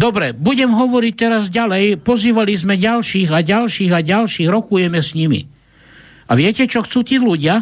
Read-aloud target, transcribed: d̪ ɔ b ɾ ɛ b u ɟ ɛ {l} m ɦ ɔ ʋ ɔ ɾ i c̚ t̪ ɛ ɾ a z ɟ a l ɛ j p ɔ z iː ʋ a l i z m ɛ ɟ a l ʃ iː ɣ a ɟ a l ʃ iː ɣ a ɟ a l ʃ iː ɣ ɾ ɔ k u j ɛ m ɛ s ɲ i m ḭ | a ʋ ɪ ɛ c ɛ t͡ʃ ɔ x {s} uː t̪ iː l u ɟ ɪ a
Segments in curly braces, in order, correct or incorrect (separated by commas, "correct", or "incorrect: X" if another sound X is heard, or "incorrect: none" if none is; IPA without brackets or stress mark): incorrect: none, incorrect: t͡s